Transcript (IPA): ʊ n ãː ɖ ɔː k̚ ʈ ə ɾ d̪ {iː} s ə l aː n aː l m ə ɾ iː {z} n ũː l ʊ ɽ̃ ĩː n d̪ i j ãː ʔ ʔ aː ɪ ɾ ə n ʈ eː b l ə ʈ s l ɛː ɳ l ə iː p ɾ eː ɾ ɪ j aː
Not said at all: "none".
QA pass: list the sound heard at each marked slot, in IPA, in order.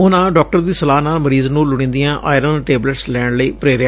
iː, z

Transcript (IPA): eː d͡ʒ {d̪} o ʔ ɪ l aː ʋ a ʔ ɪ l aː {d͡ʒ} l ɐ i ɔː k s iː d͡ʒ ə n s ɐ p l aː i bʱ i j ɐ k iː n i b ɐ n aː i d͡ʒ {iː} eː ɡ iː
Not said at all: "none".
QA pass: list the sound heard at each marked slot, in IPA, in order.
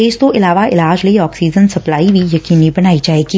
t̪, d͡ʒ, aː

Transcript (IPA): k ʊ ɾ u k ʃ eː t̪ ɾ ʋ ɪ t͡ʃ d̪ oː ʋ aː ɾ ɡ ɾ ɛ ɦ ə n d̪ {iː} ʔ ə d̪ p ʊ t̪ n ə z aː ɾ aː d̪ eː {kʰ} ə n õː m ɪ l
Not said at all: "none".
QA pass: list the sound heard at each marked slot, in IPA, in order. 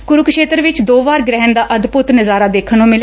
aː, kʰ

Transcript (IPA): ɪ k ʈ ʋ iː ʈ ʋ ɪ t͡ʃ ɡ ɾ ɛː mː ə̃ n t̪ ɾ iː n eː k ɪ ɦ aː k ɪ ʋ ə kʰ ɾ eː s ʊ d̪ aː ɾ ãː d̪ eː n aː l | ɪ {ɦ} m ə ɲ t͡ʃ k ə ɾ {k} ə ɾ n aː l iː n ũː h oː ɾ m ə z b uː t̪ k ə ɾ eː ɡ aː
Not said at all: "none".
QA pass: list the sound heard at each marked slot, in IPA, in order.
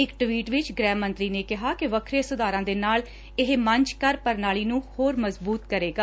ɦ, p

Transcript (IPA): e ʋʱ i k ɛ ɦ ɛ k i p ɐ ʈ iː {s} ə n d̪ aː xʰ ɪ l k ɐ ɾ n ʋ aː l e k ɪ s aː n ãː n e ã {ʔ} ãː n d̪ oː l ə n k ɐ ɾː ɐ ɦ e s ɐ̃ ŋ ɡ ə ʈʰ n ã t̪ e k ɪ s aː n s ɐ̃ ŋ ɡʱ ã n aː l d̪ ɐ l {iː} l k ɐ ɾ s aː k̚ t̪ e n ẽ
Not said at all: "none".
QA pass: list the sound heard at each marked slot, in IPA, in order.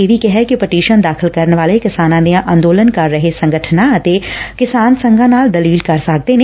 ʃ, ʔ, iː

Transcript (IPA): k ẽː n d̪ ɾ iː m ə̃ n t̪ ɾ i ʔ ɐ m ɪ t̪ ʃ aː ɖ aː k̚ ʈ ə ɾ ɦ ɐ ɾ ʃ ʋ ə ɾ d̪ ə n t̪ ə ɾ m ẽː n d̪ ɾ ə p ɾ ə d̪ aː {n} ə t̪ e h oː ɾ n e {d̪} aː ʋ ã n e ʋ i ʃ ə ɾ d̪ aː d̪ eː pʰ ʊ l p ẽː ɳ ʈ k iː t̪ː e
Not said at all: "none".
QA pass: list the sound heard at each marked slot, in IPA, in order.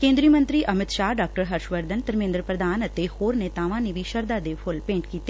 n, t̪

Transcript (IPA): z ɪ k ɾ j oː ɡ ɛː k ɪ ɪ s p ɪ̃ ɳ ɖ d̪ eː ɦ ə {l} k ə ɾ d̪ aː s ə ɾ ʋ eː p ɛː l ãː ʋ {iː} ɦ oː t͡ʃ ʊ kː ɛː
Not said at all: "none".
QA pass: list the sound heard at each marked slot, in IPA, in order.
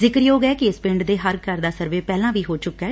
ɾ, iː

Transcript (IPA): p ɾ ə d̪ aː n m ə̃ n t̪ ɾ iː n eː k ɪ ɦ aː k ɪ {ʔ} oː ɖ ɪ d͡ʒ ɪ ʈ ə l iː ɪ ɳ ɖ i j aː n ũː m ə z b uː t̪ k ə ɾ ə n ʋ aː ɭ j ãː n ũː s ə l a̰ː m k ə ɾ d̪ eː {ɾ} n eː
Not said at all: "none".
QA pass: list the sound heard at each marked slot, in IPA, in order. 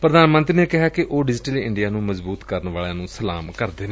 ʔ, none

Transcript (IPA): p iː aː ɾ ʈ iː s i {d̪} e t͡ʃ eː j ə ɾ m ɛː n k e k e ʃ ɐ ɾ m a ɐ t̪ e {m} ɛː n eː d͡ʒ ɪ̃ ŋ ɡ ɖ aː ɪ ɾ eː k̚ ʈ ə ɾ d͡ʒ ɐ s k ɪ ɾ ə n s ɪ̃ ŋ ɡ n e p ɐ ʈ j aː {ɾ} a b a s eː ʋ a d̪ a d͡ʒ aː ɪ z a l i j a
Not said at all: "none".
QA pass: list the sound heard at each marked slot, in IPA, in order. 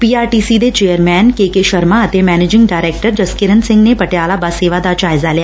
d̪, m, l

